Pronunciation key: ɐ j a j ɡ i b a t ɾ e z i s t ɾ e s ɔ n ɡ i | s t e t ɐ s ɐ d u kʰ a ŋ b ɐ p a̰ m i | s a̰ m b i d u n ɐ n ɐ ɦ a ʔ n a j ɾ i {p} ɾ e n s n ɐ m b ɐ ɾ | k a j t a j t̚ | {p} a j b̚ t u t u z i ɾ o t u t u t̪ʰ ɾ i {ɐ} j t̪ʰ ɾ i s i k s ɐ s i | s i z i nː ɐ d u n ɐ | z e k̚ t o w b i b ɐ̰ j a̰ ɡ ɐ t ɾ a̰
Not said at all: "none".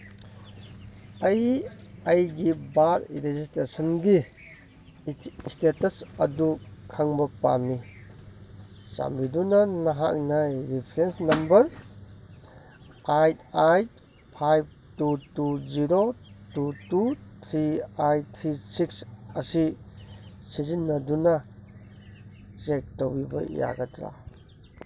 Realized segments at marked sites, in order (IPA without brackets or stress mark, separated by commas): pʰ, pʰ, a